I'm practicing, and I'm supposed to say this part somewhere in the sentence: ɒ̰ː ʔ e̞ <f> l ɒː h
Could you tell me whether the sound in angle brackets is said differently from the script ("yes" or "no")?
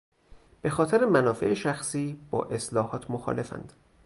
yes